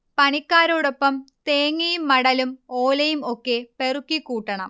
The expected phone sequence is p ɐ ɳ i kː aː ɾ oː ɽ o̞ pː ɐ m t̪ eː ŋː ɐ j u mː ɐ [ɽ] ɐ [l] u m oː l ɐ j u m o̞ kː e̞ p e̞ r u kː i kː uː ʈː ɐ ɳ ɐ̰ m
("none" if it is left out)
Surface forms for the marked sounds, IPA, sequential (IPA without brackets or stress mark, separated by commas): ɽ, l